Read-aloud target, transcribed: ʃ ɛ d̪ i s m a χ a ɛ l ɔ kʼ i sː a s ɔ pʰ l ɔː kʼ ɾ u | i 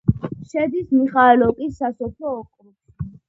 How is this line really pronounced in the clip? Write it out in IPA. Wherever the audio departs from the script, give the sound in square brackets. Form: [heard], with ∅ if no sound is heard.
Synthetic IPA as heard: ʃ ɛ d̪ i s m [i] χ a ɛ l ɔ kʼ i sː a s ɔ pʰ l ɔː kʼ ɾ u | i